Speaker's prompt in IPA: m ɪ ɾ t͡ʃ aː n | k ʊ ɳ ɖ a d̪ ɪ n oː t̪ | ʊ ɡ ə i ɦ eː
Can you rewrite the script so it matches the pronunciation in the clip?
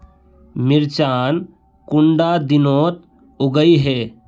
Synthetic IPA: m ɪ ɾ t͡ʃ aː n | k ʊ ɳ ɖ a d̪ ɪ n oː t̪ | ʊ ɡ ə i ɦ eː